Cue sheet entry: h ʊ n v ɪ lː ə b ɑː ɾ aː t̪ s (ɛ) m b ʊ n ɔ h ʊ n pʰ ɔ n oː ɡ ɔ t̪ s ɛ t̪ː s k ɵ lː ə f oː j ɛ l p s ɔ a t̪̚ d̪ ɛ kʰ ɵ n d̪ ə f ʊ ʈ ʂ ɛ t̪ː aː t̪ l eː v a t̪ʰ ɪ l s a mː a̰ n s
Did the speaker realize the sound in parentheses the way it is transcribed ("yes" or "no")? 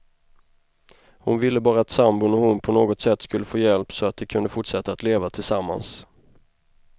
no